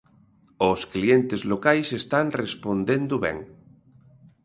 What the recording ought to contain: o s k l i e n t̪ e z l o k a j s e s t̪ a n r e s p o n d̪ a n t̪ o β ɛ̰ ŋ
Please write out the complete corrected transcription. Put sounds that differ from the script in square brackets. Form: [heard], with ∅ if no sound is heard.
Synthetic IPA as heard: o s k l i e n t̪ e z l o k a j s e s t̪ a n r e s p o n d̪ [e] n [d̪] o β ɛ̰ ŋ